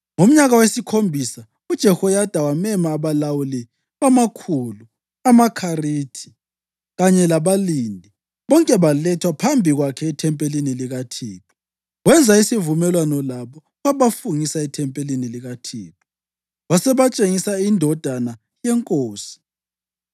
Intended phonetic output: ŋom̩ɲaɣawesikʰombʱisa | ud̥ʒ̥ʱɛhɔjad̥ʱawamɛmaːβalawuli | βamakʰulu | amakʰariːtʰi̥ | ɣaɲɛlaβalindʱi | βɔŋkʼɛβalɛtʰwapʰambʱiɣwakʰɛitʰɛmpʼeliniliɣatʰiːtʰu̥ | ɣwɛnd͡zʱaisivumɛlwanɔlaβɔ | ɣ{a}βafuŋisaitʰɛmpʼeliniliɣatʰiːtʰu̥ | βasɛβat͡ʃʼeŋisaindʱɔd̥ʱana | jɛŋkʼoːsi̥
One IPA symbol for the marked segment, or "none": a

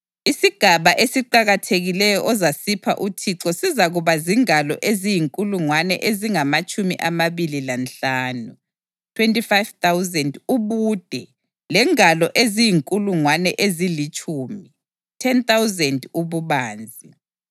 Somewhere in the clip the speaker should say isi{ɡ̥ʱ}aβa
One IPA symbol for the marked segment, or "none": ɡ̥ʱ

